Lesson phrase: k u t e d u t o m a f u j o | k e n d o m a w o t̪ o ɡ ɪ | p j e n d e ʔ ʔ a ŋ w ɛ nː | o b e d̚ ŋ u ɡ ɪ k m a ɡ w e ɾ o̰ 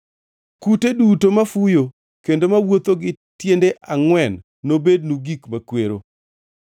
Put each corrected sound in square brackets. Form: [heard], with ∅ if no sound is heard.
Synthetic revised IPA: k u t e d u t o m a f u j o | k e n d o m a w o t̪ o ɡ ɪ | [t] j e n d e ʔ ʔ a ŋ w ɛ nː | o b e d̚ [n] u ɡ [i] k m a [k] w e ɾ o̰